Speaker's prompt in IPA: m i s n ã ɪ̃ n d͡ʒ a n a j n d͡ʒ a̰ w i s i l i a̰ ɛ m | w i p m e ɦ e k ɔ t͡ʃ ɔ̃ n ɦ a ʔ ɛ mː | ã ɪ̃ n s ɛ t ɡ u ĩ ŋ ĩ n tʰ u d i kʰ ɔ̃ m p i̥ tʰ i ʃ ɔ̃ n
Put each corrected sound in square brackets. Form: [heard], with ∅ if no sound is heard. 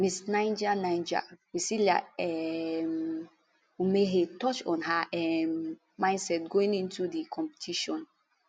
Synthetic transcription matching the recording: m i s n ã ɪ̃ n d͡ʒ a n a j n d͡ʒ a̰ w i s i l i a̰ ɛ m | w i [∅] m e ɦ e [t] ɔ t͡ʃ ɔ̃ n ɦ a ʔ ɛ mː | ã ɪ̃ n s ɛ t ɡ [o] ĩ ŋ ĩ n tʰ u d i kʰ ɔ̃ m p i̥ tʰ i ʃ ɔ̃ n